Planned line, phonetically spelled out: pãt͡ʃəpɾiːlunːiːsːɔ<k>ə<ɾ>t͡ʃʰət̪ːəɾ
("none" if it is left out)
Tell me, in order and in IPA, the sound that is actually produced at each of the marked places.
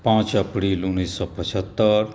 p, none

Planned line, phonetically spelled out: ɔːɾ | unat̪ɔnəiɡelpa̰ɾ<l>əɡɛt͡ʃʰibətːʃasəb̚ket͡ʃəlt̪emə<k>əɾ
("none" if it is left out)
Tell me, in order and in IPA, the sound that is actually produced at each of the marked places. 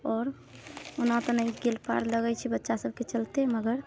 l, ɡ

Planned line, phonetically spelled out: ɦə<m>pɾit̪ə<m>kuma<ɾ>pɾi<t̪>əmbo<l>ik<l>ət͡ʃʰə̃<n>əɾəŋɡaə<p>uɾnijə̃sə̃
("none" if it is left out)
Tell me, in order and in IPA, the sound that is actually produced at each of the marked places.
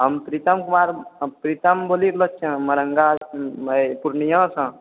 m, m, ɾ, t̪, l, l, m, p

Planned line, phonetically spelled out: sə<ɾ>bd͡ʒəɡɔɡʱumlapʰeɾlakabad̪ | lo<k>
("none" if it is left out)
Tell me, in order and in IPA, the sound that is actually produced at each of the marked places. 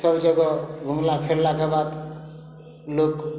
none, k

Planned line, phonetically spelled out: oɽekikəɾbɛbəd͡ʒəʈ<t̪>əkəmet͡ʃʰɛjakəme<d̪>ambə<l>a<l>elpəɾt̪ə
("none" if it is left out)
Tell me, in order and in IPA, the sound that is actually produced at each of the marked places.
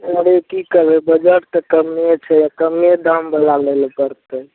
t̪, d̪, l, l

